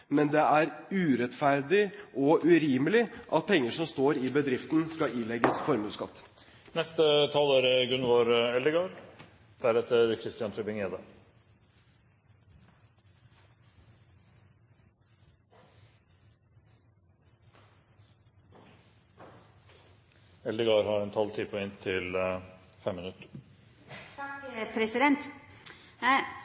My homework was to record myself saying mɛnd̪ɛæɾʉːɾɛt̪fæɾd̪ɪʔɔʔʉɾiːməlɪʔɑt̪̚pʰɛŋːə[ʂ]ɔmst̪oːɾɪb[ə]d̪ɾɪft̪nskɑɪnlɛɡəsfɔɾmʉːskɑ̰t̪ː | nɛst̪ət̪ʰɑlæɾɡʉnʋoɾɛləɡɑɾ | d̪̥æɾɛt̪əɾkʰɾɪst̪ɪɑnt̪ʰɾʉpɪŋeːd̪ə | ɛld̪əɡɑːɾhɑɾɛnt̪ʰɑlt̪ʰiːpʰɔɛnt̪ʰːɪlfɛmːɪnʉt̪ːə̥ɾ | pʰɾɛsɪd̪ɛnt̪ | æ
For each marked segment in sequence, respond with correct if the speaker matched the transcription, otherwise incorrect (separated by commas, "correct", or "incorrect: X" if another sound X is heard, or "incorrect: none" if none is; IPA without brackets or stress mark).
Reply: correct, correct